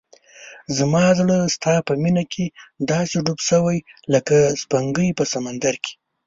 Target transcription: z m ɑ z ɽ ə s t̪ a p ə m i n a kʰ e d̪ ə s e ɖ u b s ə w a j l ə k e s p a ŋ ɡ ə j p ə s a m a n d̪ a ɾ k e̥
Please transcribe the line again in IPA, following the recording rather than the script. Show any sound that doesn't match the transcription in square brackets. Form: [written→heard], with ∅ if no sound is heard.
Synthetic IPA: z m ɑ z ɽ ə s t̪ [a→ɑ] p ə m i n a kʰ e d̪ [ə→ɑ] s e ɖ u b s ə w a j l ə k [e→a] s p a ŋ ɡ ə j p ə s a m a n d̪ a ɾ k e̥